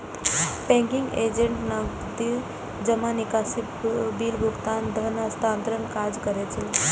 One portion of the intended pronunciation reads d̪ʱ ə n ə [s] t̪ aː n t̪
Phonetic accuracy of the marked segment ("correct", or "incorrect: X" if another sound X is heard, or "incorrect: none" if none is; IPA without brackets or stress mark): correct